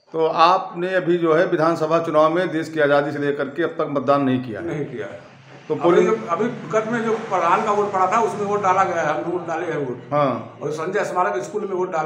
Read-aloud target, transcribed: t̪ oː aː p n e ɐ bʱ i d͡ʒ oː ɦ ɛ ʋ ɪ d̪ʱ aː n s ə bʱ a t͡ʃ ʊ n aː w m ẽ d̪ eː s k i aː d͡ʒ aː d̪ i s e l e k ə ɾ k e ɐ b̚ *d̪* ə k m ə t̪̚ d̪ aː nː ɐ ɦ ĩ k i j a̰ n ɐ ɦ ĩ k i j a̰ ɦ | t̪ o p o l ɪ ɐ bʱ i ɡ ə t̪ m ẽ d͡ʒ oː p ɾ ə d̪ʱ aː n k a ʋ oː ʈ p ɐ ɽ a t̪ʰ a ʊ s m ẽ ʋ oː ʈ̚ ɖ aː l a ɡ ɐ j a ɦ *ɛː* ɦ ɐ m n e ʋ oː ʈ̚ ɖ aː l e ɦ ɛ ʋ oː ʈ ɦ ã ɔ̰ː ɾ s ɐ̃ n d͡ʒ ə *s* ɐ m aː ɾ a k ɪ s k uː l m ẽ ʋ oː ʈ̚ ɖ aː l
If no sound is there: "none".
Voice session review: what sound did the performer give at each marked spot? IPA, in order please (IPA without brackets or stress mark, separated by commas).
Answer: t̪, ɛ, s